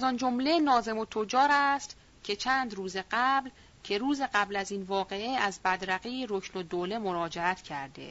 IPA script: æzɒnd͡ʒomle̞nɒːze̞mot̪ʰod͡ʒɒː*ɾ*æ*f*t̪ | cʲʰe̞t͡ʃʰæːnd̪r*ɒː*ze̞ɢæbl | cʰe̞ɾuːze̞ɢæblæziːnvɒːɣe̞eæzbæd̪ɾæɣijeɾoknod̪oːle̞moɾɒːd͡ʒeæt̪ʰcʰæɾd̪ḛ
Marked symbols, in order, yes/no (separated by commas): yes, no, no